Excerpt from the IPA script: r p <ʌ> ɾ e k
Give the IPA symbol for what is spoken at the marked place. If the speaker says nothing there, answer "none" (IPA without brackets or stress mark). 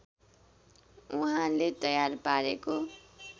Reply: a